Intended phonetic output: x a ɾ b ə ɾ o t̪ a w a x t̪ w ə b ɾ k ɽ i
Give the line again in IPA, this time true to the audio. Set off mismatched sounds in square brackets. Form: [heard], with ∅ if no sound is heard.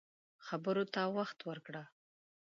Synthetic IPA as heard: x a [∅] b ə ɾ o t̪ a w a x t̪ w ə [∅] ɾ k ɽ [a]

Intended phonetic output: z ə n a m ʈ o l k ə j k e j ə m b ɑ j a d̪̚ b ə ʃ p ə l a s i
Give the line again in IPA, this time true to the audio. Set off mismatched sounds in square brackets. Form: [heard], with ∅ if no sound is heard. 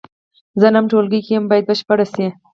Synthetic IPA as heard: z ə n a m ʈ o l [ɡ] ə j k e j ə m b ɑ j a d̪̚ b ə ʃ p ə [ɽ] a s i

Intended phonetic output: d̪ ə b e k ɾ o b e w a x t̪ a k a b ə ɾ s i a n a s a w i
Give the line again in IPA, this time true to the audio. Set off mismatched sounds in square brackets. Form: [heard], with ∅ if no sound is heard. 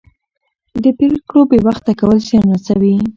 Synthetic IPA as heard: d̪ ə [p] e k [ɽ] o b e w a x t̪ a k a [w] ə [l] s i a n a s a w i

